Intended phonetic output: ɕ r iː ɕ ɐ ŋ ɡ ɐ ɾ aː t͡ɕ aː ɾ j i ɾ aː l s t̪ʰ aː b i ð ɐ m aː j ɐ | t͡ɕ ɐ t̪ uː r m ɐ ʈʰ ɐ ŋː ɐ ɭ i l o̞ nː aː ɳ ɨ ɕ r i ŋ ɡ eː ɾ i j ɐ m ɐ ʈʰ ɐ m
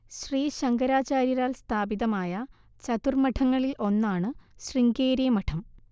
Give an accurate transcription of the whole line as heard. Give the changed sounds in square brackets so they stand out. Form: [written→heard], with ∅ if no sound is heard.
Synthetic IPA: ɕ r iː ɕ ɐ ŋ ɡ ɐ ɾ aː t͡ɕ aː ɾ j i ɾ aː l s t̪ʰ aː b i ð ɐ m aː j ɐ | t͡ɕ ɐ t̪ [uː→u] r m ɐ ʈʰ ɐ ŋː ɐ ɭ i l o̞ nː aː ɳ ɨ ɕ r i ŋ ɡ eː ɾ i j ɐ m ɐ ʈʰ ɐ m